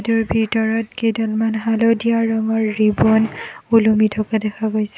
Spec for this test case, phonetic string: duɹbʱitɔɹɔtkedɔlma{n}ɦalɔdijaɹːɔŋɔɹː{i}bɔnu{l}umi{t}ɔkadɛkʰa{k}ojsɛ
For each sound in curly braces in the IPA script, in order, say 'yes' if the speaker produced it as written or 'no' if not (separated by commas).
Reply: yes, yes, yes, no, no